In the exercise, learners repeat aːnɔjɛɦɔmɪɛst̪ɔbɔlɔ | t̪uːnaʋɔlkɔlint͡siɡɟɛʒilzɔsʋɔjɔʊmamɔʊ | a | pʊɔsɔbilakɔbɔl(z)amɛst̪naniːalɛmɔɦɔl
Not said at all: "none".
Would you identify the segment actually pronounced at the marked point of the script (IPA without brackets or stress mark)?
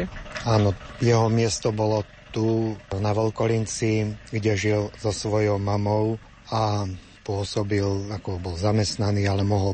z